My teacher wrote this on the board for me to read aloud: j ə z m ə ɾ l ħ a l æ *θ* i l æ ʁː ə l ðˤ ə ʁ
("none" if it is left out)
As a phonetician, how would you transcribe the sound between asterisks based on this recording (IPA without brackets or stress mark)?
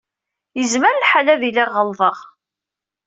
ð